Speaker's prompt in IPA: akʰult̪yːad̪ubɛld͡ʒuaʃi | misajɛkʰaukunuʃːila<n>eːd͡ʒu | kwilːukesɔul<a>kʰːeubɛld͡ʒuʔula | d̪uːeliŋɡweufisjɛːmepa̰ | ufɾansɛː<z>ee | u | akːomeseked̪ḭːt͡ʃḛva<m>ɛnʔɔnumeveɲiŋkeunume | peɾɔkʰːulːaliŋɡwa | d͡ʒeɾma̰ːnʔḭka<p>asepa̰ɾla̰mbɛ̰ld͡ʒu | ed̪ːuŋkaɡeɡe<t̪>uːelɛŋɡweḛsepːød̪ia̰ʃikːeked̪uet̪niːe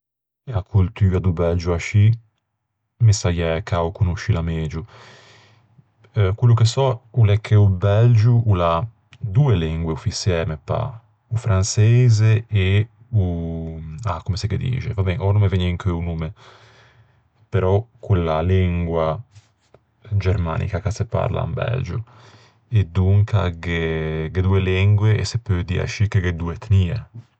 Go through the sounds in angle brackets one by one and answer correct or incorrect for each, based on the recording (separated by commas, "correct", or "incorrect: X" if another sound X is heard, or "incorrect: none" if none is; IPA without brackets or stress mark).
incorrect: m, incorrect: ɛ, correct, incorrect: b, incorrect: k, incorrect: d̪